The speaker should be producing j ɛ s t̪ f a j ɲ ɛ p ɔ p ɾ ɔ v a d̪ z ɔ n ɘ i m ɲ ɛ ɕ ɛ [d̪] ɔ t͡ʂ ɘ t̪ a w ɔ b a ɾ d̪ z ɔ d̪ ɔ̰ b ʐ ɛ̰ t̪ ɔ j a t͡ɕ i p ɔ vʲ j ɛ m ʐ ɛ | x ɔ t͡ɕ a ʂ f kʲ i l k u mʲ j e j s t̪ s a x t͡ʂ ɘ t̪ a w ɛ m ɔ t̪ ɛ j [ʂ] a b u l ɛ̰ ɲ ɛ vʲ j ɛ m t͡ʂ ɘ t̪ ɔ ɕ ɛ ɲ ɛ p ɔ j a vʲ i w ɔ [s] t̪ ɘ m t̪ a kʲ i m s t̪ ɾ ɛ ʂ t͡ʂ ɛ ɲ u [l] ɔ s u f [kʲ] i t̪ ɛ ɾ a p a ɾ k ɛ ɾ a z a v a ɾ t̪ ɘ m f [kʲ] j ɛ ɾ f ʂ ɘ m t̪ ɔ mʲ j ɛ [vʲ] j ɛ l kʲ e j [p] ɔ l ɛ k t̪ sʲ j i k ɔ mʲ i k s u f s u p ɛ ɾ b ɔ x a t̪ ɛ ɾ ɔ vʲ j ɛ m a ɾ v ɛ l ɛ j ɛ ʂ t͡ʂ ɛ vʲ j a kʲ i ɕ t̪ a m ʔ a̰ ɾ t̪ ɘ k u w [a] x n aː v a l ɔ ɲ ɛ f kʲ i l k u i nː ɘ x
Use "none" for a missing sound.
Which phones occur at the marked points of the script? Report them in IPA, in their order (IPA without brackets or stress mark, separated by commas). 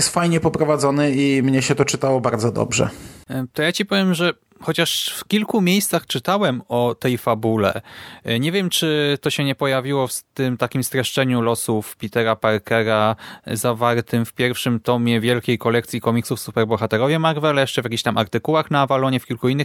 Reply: t̪, f, f, l, pʲ, pʲ, vʲ, k, a